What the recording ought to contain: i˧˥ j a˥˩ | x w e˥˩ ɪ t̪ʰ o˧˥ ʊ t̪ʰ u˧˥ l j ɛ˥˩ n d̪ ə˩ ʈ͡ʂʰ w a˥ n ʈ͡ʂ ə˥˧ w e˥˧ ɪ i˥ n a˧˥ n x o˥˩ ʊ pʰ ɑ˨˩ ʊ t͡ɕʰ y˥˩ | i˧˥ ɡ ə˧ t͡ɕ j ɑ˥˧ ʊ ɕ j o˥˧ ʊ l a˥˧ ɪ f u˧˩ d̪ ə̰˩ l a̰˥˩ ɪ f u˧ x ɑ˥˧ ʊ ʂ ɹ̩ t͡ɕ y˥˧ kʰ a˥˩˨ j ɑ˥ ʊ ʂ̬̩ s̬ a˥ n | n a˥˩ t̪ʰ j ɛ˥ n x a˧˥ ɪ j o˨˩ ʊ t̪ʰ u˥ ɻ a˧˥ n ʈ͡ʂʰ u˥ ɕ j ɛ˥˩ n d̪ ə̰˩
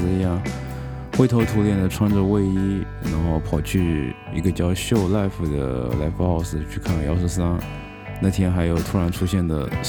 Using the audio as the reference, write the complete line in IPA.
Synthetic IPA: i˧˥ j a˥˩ | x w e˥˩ ɪ t̪ʰ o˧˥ ʊ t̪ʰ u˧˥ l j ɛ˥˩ n d̪ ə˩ ʈ͡ʂʰ w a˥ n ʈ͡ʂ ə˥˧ w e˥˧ ɪ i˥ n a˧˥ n x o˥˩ ʊ pʰ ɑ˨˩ ʊ t͡ɕʰ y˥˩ | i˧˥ ɡ ə˧ t͡ɕ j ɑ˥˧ ʊ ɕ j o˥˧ ʊ l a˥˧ ɪ f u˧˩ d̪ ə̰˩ l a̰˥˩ ɪ f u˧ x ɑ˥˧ ʊ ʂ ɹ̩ t͡ɕʰ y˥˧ kʰ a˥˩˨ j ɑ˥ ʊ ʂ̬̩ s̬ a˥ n | n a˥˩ t̪ʰ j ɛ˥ n x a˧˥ ɪ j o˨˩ ʊ t̪ʰ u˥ ɻ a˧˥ n ʈ͡ʂʰ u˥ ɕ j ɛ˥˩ n d̪ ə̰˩